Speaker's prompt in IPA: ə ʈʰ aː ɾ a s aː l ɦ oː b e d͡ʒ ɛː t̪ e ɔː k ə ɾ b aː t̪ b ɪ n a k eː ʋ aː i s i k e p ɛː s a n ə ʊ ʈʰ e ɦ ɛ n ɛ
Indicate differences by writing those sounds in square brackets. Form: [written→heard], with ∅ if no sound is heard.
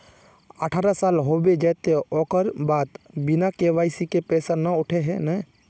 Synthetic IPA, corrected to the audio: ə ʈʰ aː ɾ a s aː l ɦ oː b e d͡ʒ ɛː t̪ e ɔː k ə ɾ b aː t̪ b ɪ n a k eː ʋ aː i s i k e p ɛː s a n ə ʊ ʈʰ e ɦ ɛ n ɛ